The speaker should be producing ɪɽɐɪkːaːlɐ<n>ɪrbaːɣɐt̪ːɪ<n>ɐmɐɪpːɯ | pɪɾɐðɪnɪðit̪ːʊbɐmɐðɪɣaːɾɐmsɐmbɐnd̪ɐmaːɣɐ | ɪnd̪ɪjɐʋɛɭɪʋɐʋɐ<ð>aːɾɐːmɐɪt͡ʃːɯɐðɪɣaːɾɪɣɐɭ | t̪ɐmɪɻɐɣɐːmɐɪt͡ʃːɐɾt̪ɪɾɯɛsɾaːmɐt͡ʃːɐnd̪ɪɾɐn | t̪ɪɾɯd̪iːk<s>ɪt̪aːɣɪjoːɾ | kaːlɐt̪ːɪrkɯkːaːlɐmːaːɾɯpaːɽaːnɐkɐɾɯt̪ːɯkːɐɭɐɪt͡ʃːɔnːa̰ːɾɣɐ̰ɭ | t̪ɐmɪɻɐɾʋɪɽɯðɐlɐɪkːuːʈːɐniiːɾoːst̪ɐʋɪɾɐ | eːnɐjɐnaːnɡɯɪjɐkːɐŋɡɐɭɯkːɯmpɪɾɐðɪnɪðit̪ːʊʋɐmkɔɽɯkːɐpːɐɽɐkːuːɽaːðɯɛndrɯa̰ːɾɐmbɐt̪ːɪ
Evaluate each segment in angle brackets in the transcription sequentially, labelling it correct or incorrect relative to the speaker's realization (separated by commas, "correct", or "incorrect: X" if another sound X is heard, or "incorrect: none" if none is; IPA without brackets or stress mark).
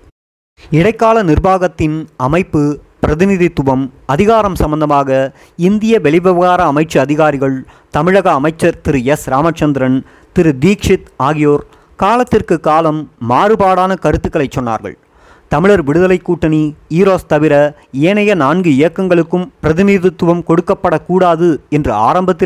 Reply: correct, correct, incorrect: ɣ, incorrect: ʂ